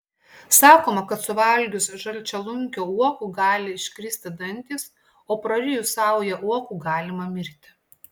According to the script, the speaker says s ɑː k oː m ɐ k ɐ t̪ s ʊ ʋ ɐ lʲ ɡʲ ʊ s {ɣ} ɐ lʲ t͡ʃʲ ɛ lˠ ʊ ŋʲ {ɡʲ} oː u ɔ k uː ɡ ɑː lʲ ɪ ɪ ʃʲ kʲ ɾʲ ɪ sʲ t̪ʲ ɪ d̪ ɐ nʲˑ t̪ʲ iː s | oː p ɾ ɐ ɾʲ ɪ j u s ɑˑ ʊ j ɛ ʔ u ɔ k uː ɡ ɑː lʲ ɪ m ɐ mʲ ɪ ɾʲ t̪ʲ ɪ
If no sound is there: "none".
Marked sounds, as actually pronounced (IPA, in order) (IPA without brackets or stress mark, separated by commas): ʒ, kʲ